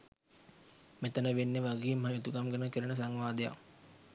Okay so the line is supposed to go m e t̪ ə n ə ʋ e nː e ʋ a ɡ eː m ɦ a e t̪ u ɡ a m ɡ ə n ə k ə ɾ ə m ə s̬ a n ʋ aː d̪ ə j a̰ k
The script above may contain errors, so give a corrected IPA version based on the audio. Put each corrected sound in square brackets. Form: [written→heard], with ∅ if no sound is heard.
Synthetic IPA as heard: m e t̪ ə n ə ʋ e nː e ʋ a ɡ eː m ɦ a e t̪ u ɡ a m ɡ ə n ə k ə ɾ ə [m→n] ə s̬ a [n→ŋ] ʋ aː d̪ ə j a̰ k